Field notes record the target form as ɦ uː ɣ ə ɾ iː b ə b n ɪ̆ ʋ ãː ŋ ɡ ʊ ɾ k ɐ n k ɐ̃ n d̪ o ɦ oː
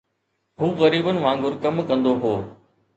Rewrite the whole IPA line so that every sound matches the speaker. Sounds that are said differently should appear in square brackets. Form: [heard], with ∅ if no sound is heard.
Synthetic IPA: ɦ uː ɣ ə ɾ iː b ə [∅] n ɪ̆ ʋ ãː ŋ ɡ ʊ ɾ k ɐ [m] k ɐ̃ n d̪ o ɦ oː

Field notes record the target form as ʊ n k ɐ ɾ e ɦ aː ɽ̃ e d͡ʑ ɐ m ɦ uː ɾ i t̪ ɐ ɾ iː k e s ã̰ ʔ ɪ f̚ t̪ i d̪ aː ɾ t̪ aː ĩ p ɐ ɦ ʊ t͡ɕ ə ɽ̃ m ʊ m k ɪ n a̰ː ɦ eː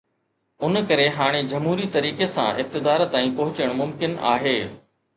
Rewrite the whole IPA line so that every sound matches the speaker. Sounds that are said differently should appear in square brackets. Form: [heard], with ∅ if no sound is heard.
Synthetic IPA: ʊ n k ɐ ɾ e ɦ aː ɽ̃ e d͡ʑ ɐ m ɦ uː ɾ i t̪ ɐ ɾ iː k e s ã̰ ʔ ɪ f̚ t̪ [ɪ] d̪ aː ɾ t̪ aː ĩ p ɐ ɦ ʊ t͡ɕ ə ɽ̃ m ʊ m k ɪ n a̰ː ɦ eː

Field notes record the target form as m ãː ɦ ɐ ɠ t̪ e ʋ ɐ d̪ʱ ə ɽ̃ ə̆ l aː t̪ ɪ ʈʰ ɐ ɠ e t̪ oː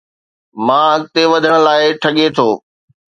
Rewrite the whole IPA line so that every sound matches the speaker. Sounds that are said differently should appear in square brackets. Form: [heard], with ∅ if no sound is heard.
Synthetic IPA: m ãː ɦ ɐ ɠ t̪ e ʋ ɐ d̪ʱ ə ɽ̃ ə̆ l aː [∅] ɪ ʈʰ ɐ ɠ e [t̪ʰ] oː

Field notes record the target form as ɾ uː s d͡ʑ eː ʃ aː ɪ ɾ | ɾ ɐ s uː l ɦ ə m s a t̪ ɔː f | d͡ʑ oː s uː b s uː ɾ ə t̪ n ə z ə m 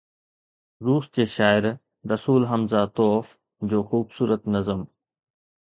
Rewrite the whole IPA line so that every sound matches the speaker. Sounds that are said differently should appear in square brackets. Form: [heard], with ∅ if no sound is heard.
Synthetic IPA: ɾ uː s d͡ʑ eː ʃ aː ɪ ɾ | ɾ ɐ s uː l ɦ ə m [z] a t̪ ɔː f | d͡ʑ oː [x] uː b s uː ɾ ə t̪ n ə z ə m

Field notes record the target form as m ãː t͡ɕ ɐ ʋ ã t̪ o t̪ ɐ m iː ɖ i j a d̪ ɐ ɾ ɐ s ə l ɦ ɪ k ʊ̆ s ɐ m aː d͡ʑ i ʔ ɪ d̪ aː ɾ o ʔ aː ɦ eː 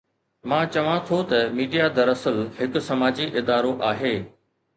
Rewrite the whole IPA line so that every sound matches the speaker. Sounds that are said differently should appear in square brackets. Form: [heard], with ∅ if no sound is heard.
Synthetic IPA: m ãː t͡ɕ ɐ ʋ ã [t̪ʰ] o t̪ ɐ m iː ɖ i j a d̪ ɐ ɾ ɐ s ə l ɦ ɪ k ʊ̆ s ɐ m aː d͡ʑ i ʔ ɪ d̪ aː ɾ o ʔ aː ɦ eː

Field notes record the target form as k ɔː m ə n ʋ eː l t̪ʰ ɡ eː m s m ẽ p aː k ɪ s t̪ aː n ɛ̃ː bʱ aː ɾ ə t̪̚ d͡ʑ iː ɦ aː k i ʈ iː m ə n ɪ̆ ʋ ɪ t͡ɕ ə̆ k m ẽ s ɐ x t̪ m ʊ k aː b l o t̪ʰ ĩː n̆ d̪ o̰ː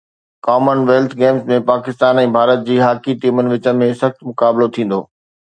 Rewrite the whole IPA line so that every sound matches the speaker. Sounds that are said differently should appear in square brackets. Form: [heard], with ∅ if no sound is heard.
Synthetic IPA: k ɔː m ə n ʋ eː l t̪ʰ ɡ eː m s m ẽ p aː k ɪ s t̪ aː n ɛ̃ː bʱ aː ɾ ə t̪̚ d͡ʑ iː ɦ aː k i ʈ iː m ə n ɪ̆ ʋ ɪ t͡ɕ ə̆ [∅] m ẽ s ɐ x t̪ m ʊ k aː b l o t̪ʰ ĩː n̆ d̪ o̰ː

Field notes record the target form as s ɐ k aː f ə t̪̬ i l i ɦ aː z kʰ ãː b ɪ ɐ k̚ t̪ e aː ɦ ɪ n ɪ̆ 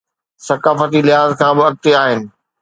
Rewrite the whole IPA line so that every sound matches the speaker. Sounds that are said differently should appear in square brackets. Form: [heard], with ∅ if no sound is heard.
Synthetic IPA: s ɐ k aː f ə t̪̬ i l [ɪ] ɦ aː z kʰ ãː b ɪ ɐ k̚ t̪ e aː ɦ ɪ n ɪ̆

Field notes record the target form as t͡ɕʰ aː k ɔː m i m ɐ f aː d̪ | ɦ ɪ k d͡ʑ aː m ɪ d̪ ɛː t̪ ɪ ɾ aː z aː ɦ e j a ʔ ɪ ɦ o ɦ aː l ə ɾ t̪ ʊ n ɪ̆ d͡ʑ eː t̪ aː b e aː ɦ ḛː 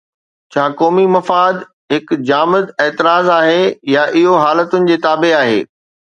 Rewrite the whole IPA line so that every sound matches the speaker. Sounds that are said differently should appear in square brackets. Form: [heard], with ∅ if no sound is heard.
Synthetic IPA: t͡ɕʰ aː k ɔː m i m ɐ f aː d̪ | ɦ ɪ k d͡ʑ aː m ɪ d̪ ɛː t̪ ɪ ɾ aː z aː ɦ e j a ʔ ɪ ɦ o ɦ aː l ə [∅] t̪ ʊ n ɪ̆ d͡ʑ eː t̪ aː b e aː ɦ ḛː

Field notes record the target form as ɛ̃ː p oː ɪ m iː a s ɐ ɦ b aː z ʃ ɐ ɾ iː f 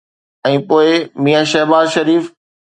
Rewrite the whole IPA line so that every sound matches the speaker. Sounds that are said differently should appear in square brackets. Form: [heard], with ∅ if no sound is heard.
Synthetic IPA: ɛ̃ː p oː ɪ m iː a [ʃ] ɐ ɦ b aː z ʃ ɐ ɾ iː f

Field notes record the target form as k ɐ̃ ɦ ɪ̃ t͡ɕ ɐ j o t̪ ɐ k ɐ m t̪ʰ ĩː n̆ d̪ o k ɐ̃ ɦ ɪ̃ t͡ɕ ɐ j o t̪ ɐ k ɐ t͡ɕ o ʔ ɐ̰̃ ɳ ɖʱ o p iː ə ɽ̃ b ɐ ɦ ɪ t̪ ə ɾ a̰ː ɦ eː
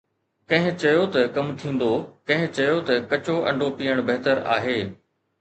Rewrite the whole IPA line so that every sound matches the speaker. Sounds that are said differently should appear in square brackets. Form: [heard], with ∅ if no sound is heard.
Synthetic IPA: k ɐ̃ ɦ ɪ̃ t͡ɕ ɐ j o t̪ ɐ k ɐ m t̪ʰ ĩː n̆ d̪ o k ɐ̃ ɦ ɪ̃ t͡ɕ ɐ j o t̪ ɐ k ɐ t͡ɕ o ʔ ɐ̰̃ ɳ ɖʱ o p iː ə ɽ̃ b ɐ ɦ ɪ t̪ ə ɾ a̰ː ɦ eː

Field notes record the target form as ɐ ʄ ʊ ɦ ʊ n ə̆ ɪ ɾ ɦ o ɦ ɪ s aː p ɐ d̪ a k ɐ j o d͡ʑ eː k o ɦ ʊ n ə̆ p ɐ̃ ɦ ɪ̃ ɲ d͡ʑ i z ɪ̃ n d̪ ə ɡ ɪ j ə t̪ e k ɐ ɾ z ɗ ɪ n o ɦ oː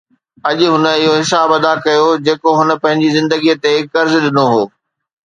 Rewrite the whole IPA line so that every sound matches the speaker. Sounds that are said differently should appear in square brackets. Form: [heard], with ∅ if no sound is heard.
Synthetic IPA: ɐ ʄ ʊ ɦ ʊ n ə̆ ɪ [∅] ɦ o ɦ ɪ s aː [b] ɐ d̪ a k ɐ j o d͡ʑ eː k o ɦ ʊ n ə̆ p ɐ̃ ɦ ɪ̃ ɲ d͡ʑ i z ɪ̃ n d̪ ə ɡ [i] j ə t̪ e k ɐ ɾ z ɗ ɪ n o ɦ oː

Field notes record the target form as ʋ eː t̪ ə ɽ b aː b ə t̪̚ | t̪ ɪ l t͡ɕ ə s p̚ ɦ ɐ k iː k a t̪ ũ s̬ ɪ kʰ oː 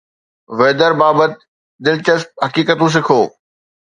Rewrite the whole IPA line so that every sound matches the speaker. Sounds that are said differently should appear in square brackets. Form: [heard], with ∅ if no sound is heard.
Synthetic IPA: ʋ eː [d̪] ə [ɾ] b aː b ə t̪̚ | [d̪] ɪ l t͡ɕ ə s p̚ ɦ ɐ k iː k [ə] t̪ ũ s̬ ɪ kʰ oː

